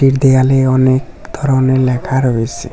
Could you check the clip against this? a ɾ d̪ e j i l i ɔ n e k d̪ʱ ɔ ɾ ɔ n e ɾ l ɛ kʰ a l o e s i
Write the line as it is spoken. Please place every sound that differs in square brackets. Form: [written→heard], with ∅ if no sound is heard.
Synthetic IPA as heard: [a→i] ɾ d̪ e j [i→a] l [i→e] ɔ n e k d̪ʱ ɔ ɾ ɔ n e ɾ l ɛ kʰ a [l→ɾ] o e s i